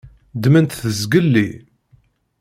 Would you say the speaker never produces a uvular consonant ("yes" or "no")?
yes